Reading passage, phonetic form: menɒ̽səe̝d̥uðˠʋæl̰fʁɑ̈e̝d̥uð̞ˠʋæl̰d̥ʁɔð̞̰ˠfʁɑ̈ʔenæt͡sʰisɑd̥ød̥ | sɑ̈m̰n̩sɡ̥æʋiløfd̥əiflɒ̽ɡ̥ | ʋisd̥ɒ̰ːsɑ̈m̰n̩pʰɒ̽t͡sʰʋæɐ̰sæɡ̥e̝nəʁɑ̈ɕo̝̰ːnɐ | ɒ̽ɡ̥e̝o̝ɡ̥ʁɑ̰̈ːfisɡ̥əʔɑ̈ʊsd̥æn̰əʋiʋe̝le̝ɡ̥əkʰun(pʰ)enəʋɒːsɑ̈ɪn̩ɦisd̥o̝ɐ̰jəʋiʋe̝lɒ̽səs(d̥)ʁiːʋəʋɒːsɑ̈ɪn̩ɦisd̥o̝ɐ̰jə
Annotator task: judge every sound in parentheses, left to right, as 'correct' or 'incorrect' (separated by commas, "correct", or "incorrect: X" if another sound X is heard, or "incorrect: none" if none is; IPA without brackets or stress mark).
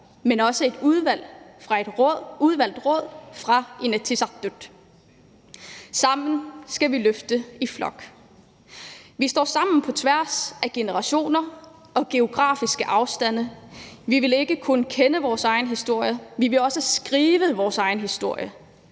incorrect: kʰ, incorrect: ɡ̥